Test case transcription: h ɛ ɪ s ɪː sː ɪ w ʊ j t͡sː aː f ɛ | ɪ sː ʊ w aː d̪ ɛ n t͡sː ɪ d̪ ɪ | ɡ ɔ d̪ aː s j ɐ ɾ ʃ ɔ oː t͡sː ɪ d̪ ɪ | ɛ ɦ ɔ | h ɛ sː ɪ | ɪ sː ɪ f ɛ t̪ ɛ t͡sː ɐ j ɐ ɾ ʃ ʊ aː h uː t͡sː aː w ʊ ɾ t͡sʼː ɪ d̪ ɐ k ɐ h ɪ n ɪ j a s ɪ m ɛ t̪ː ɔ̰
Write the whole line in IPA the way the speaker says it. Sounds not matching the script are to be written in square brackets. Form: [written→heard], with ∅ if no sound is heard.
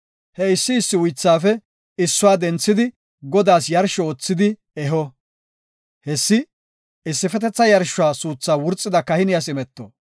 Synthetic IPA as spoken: h ɛ ɪ [s→sː] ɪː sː ɪ w ʊ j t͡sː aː f ɛ | ɪ sː ʊ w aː d̪ ɛ n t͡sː ɪ d̪ ɪ | ɡ ɔ d̪ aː s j ɐ ɾ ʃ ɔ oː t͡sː ɪ d̪ ɪ | ɛ ɦ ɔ | h ɛ sː ɪ | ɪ sː ɪ f ɛ t̪ ɛ t͡sː ɐ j ɐ ɾ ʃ ʊ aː [h→s] uː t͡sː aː w ʊ ɾ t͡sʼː ɪ d̪ ɐ k ɐ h ɪ n ɪ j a s ɪ m ɛ t̪ː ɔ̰